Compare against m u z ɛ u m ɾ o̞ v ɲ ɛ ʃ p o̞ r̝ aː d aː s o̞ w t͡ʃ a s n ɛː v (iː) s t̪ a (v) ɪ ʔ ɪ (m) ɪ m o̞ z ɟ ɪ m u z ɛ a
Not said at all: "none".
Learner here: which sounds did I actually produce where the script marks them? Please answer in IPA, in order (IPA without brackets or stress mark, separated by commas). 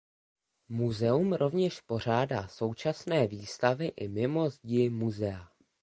iː, v, m